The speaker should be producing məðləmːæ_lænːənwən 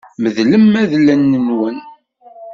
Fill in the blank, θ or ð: ð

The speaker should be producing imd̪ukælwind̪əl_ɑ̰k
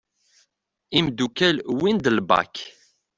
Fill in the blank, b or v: b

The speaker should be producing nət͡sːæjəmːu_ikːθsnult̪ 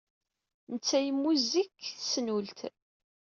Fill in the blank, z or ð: z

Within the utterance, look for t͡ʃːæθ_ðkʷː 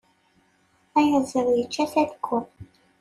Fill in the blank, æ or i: æ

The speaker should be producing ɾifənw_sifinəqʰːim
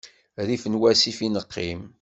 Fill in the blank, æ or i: æ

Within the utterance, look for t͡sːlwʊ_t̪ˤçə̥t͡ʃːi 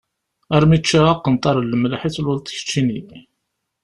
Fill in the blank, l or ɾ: l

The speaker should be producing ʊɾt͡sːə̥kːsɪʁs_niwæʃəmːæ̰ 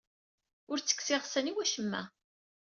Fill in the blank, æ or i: æ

